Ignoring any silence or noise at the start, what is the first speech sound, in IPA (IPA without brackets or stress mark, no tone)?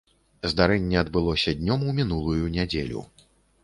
z